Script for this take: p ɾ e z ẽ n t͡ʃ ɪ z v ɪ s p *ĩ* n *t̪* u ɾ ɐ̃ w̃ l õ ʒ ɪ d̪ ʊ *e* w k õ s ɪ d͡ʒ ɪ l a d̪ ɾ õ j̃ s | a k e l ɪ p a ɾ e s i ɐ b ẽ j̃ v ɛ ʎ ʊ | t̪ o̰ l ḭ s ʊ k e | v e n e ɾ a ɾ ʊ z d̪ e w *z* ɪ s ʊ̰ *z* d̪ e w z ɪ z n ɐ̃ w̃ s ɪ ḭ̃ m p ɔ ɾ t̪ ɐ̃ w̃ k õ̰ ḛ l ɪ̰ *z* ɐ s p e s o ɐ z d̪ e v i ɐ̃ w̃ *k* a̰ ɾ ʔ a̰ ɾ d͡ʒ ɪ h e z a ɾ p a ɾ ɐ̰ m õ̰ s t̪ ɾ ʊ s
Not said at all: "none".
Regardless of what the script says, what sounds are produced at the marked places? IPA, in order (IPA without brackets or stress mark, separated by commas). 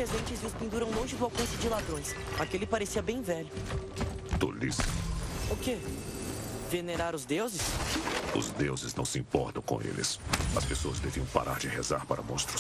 ĩ, d̪, a, z, z, s, p